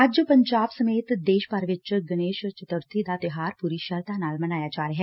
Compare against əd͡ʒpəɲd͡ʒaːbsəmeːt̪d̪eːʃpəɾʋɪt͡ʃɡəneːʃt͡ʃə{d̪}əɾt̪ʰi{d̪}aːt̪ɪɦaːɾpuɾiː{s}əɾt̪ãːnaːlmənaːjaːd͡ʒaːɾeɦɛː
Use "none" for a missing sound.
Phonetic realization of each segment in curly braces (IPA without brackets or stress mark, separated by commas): t̪, d̪, ʃ